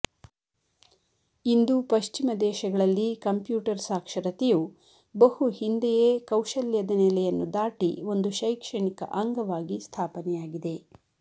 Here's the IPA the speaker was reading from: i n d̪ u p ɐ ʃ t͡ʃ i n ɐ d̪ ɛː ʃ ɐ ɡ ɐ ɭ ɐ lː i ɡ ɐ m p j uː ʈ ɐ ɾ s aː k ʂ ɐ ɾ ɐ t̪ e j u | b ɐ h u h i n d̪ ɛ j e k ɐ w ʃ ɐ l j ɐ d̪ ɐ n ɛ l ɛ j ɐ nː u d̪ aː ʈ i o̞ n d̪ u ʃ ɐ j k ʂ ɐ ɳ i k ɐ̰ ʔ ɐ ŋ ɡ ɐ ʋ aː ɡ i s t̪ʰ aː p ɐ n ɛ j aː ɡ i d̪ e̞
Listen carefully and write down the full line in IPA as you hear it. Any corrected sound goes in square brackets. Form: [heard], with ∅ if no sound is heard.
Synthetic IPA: i n d̪ u p ɐ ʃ t͡ʃ i [m] ɐ d̪ ɛː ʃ ɐ ɡ ɐ ɭ ɐ lː i [k] ɐ m p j uː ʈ ɐ ɾ s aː k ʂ ɐ ɾ ɐ t̪ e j u | b ɐ h u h i n d̪ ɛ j e k ɐ w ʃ ɐ l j ɐ d̪ ɐ n ɛ l ɛ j ɐ nː u d̪ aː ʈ i o̞ n d̪ u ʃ ɐ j k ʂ ɐ ɳ i k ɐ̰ ʔ ɐ ŋ ɡ ɐ ʋ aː ɡ i s t̪ʰ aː p ɐ n ɛ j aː ɡ i d̪ e̞